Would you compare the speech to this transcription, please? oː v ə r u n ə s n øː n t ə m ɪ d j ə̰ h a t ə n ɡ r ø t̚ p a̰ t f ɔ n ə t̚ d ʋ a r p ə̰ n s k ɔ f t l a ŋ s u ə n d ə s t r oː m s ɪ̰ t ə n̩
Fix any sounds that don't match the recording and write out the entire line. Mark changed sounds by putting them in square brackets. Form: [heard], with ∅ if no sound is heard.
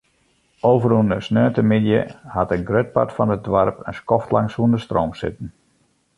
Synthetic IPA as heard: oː v ə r u n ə s n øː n t ə m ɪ d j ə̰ h a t ə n ɡ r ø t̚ p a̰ t f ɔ n ə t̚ d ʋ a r p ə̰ n s k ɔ f t l a ŋ s u ə n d ə s t r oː m s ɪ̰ t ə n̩

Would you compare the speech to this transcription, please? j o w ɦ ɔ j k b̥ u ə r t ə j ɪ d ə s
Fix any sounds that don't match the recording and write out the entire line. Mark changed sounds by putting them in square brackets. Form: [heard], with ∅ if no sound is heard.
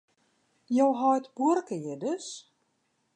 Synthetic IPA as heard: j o w ɦ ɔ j [t] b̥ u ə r [k] ə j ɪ d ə s

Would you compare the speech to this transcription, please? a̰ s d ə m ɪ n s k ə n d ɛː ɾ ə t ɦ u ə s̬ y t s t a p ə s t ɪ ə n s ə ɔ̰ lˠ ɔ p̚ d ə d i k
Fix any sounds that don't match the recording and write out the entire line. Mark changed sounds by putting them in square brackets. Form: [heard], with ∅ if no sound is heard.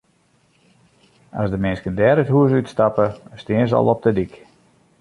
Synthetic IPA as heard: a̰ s d ə m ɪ n s k ə n d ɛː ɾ ə t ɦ u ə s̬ y t s t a p ə s t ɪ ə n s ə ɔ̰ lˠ ɔ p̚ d ə d i k

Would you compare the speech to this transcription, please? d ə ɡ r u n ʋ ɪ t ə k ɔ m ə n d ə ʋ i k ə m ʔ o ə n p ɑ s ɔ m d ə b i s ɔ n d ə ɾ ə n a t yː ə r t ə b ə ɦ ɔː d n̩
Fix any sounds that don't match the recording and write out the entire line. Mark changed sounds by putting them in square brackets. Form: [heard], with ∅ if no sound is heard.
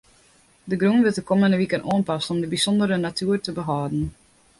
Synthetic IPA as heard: d ə ɡ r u n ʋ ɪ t ə k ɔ m ə n d ə ʋ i k ə [n] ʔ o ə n p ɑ s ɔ m d ə b i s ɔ n d ə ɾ ə n a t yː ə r t ə b ə ɦ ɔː d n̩

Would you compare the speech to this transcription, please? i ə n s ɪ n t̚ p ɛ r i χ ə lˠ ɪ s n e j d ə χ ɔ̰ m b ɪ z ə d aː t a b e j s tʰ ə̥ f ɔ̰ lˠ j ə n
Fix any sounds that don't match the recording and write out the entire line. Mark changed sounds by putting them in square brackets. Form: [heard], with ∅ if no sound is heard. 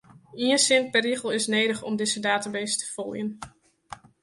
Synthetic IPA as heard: i ə n s ɪ n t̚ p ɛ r i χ ə lˠ ɪ s n e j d ə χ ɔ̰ m [d] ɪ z ə d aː t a b e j s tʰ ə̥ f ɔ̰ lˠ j ə n

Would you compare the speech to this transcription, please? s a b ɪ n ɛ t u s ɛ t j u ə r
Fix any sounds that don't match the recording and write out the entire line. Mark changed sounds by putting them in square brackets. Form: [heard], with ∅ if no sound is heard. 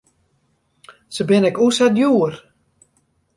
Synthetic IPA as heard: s [ə] b ɪ n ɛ [k] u s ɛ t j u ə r

